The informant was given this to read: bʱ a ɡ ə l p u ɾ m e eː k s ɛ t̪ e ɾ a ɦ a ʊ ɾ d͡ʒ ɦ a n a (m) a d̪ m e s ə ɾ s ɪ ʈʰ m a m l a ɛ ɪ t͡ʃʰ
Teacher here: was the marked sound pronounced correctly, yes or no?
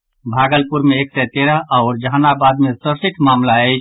no